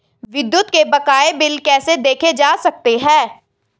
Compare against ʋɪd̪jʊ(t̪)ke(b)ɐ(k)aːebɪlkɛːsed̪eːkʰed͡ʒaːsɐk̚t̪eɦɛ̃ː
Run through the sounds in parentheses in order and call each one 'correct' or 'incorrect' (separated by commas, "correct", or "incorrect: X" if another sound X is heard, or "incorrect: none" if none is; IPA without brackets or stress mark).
correct, correct, correct